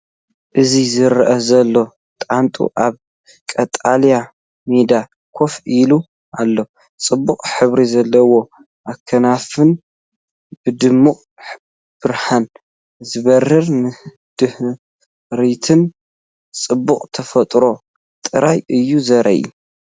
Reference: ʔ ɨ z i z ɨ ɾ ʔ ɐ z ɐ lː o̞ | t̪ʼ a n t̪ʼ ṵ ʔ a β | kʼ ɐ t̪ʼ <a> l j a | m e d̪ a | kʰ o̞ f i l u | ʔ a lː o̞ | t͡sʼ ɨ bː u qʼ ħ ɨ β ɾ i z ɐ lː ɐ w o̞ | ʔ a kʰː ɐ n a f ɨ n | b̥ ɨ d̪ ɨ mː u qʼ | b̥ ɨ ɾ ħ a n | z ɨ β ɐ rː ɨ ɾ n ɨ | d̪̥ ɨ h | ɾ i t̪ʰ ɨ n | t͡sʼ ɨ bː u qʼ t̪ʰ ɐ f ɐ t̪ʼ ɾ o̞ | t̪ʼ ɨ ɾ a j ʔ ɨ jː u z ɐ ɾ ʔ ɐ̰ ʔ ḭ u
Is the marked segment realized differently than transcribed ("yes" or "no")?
no